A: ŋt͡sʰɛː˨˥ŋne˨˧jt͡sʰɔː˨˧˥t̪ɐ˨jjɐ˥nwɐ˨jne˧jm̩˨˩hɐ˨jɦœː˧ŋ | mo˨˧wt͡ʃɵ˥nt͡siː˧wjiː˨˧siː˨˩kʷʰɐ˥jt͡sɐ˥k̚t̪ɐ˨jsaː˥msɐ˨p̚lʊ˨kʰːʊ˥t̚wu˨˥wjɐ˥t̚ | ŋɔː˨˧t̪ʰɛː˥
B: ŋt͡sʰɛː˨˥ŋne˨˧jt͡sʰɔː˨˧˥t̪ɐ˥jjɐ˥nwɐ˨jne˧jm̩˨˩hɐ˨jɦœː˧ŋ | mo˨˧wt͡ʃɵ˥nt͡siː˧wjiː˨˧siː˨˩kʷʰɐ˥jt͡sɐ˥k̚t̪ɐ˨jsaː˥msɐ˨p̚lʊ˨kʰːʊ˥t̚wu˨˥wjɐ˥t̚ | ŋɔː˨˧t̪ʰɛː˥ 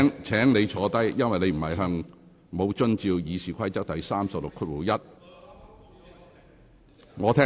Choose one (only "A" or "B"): B